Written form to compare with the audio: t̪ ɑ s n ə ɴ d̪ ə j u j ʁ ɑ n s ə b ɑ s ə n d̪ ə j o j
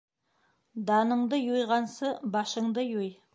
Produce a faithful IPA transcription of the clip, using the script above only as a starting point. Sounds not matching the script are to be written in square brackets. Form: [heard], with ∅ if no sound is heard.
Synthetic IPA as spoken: [d̪] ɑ [∅] n ə ɴ d̪ ə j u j ʁ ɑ n s ə b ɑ [ʃ] ə [ɴ] d̪ ə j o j